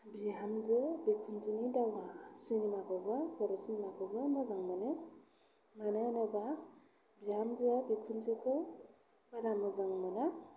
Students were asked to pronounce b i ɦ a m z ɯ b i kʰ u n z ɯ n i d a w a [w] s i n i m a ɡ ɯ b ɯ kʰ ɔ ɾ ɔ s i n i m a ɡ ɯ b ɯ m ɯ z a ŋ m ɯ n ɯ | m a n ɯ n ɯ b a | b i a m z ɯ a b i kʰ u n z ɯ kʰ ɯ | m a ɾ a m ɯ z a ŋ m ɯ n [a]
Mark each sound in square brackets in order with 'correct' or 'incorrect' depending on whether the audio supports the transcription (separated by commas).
incorrect, correct